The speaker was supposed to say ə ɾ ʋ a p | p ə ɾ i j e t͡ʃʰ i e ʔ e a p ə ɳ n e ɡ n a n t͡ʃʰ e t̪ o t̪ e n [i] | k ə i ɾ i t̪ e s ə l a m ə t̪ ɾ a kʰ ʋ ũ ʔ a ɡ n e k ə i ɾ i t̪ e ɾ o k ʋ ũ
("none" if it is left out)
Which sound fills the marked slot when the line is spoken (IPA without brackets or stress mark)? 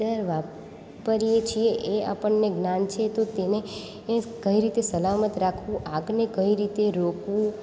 e